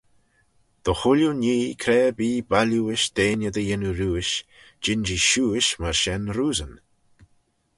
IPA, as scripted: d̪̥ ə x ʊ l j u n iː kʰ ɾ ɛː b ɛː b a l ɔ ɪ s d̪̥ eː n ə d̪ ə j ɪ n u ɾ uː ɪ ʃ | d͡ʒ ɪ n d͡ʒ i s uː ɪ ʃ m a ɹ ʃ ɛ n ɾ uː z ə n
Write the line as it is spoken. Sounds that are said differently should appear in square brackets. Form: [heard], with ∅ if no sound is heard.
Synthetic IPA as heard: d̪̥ ə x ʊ l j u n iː kʰ ɾ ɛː b [iː] b a l [u] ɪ [ʃ] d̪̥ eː n ə d̪ ə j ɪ n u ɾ uː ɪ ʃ | d͡ʒ ɪ n d͡ʒ i [ʃ] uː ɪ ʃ m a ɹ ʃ ɛ n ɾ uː z ə n